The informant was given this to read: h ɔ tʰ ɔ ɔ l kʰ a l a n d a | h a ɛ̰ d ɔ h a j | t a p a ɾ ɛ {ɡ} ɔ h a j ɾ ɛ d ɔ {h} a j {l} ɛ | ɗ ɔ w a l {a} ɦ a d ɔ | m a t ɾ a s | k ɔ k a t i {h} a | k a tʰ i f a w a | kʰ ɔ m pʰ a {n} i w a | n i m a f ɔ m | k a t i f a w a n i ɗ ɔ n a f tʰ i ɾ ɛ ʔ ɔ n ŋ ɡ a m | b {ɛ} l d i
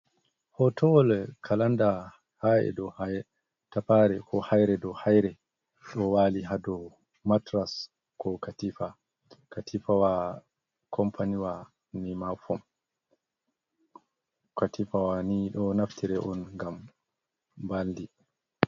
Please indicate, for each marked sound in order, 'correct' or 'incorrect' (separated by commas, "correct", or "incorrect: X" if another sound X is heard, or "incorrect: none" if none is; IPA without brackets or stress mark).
incorrect: k, correct, incorrect: ɾ, incorrect: i, incorrect: f, correct, incorrect: a